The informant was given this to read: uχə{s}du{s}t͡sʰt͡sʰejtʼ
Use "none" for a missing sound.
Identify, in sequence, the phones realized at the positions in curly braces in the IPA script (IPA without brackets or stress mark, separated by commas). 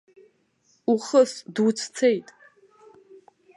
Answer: s, none